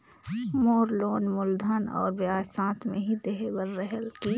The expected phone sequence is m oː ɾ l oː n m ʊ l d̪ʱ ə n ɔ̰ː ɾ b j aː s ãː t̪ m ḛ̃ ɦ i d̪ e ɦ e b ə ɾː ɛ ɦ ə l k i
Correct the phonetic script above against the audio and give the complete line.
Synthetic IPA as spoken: m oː ɾ l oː n m ʊ l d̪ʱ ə n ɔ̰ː ɾ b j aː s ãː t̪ m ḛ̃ ɦ i d̪ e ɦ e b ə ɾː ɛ ɦ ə l k i